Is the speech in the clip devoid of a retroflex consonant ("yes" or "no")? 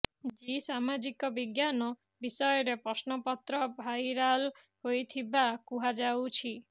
yes